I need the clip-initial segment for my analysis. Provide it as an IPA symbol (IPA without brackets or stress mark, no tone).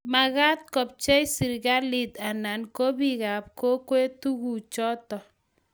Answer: m